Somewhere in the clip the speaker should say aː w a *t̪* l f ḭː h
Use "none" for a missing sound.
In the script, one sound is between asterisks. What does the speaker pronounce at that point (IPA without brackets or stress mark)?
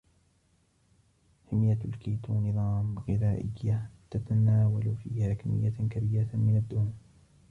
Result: none